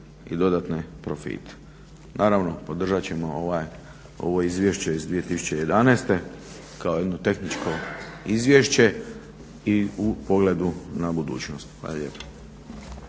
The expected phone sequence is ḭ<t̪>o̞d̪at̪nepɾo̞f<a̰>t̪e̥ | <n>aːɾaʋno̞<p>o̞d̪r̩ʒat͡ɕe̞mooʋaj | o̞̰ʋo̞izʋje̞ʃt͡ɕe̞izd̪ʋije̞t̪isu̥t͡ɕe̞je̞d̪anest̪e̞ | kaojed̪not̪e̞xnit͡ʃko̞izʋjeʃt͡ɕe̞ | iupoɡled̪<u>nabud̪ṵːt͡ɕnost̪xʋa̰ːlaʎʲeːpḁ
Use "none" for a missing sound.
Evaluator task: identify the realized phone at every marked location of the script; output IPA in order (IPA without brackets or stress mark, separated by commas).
d̪, ḭ, n, p, u